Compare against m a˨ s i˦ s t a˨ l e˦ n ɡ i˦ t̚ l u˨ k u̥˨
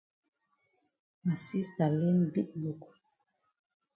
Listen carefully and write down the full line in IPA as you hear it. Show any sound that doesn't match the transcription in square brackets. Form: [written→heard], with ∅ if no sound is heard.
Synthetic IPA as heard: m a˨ s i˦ s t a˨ l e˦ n [ɡ→b] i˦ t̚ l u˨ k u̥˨